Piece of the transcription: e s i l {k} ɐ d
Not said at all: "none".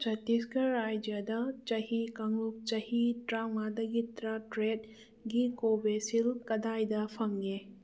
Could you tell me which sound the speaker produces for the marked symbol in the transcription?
k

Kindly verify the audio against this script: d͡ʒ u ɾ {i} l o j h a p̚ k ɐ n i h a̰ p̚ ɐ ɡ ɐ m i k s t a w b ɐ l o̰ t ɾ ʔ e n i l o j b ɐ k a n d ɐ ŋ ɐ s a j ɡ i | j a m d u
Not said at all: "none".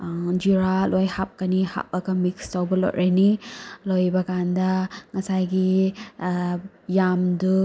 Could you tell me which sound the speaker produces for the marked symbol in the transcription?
a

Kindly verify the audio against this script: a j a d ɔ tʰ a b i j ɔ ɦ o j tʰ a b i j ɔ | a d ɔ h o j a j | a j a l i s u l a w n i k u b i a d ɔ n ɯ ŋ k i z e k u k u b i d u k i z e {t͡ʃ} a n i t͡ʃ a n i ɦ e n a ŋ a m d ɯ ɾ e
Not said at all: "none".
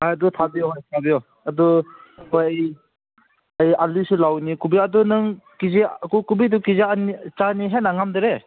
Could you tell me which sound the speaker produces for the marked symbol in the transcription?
none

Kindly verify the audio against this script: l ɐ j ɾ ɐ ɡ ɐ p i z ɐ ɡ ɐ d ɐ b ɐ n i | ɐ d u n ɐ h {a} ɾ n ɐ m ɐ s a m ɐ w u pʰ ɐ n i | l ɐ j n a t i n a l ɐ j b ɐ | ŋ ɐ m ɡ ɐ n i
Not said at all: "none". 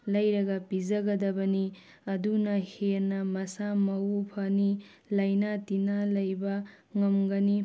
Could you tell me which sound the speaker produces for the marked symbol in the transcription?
e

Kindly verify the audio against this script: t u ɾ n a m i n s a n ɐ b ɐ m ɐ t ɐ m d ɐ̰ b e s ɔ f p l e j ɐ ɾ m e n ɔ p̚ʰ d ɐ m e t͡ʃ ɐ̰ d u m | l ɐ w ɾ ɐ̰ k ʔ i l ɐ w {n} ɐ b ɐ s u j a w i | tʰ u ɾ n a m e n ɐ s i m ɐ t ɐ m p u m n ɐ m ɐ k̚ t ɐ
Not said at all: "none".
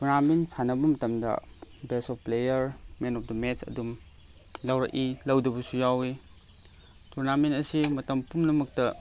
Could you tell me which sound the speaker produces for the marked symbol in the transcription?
d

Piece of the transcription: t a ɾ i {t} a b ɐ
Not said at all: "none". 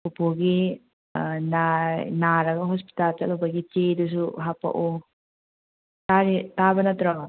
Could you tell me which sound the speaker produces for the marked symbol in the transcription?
t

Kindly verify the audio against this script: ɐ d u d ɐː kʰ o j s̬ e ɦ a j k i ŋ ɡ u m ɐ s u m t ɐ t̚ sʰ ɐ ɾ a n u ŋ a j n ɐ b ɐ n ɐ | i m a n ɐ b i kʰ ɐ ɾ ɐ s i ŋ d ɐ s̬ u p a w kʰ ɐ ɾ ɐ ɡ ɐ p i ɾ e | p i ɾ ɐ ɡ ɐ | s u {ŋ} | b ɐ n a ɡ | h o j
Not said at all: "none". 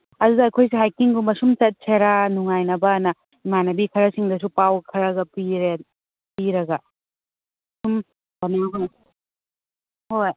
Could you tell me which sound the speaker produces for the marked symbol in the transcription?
m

